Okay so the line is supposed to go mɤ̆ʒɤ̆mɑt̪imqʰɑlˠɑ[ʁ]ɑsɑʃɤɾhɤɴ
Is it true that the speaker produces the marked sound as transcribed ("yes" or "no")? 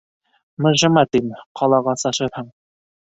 yes